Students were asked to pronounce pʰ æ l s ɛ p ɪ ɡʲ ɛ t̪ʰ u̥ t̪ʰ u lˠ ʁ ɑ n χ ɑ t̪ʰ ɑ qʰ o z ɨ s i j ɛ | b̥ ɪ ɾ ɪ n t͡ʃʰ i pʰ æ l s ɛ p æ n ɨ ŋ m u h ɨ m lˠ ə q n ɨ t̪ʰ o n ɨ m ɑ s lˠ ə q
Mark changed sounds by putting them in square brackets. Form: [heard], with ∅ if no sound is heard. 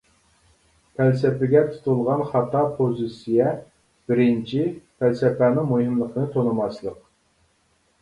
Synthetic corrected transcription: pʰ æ l s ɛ p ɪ ɡʲ ɛ t̪ʰ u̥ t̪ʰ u lˠ ʁ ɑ n χ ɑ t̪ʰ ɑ [pʰ] o z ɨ s i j ɛ | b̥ ɪ ɾ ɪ n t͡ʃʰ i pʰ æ l s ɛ p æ n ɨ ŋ m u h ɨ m lˠ ə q n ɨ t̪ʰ o n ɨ m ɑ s lˠ ə q